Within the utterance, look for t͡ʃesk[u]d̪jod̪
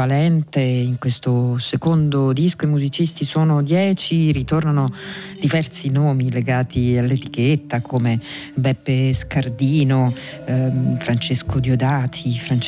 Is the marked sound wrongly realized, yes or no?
yes